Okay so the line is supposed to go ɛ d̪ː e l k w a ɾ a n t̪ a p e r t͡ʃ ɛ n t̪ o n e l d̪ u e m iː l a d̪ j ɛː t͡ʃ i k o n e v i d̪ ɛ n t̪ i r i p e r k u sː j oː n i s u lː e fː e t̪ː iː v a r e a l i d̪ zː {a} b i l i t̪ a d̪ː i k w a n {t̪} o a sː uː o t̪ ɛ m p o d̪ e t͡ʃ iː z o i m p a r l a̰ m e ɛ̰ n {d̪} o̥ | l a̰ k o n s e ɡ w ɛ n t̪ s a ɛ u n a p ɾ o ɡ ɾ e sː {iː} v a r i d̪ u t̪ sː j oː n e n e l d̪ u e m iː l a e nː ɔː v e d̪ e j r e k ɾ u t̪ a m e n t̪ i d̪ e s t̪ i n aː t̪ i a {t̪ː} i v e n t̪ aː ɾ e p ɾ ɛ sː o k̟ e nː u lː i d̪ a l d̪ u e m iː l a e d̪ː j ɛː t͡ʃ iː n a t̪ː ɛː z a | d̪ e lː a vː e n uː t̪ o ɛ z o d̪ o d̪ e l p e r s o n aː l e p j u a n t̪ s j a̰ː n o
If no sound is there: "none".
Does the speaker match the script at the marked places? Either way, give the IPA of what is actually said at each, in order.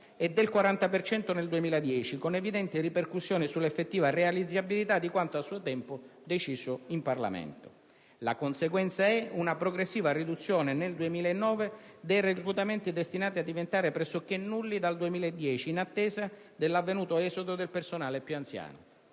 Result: a, t̪, t̪, iː, d̪ː

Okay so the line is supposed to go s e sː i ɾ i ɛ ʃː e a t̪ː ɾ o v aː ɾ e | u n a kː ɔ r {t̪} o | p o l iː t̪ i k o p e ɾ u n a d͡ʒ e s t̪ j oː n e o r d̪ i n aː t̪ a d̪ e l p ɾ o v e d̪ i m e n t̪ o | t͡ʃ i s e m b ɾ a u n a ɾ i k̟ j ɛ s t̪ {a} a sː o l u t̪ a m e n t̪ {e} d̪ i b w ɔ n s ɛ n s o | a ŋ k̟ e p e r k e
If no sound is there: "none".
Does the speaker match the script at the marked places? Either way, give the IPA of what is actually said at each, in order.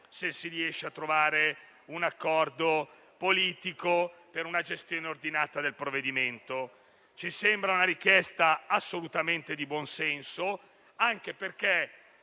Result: d̪, a, e

